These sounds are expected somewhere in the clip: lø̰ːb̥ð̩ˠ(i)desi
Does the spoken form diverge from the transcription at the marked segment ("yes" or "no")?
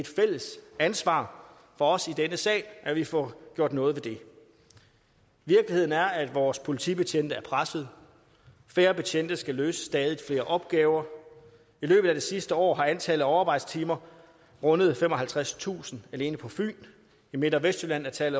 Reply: yes